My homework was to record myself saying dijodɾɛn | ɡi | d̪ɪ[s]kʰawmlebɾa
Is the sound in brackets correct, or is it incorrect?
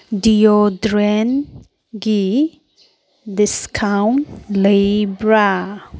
correct